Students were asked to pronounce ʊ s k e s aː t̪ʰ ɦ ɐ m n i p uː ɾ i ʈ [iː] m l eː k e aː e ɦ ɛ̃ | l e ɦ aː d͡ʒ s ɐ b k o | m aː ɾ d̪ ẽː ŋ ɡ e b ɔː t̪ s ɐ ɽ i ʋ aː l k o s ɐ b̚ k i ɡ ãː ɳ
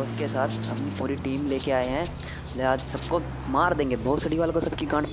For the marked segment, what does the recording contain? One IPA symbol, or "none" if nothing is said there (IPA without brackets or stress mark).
iː